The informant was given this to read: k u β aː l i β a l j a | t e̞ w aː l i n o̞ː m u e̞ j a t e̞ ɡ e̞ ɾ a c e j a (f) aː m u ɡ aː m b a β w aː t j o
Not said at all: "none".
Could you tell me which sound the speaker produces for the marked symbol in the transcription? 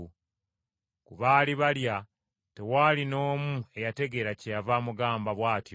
v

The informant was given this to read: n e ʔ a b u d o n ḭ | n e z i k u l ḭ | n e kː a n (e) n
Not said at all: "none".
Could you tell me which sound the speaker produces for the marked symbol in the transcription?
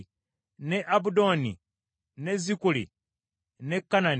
a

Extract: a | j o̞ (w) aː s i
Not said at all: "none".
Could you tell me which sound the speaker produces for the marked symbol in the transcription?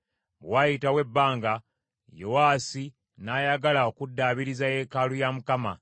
w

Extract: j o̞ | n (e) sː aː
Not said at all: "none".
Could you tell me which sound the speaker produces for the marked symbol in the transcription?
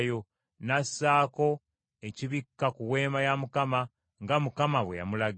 a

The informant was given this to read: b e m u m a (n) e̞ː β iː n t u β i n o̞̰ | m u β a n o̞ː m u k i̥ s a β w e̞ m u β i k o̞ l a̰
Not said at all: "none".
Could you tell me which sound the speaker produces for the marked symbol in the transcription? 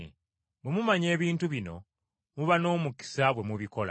ɲ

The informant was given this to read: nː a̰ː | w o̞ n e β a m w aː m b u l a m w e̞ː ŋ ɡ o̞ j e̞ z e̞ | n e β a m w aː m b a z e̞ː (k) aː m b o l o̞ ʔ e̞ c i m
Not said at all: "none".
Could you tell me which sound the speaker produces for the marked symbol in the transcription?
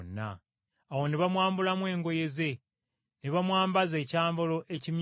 c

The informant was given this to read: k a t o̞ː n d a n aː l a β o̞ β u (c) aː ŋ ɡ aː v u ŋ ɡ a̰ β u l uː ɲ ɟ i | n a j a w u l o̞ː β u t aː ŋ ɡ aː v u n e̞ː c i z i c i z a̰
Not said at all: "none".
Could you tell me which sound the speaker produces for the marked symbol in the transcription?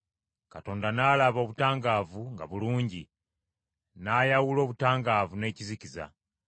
t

